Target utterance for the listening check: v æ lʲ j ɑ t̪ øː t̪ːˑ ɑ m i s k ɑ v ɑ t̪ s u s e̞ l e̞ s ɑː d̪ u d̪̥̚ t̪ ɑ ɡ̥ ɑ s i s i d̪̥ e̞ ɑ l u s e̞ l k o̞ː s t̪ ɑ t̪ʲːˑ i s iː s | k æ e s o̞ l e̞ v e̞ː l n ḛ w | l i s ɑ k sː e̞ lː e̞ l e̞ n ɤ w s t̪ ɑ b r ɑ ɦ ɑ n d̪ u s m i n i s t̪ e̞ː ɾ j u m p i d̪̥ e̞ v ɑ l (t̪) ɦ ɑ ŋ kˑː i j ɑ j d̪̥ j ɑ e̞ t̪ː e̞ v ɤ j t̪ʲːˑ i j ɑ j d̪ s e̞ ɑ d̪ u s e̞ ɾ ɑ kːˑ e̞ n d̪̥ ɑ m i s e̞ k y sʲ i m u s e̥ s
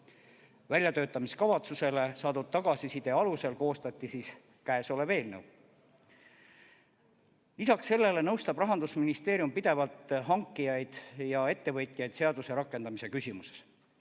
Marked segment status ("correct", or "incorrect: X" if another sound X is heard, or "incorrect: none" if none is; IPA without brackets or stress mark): correct